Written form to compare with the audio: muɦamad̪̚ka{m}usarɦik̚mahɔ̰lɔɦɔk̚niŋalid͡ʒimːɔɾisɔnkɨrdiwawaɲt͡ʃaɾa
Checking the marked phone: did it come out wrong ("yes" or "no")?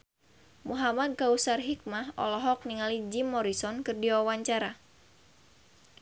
yes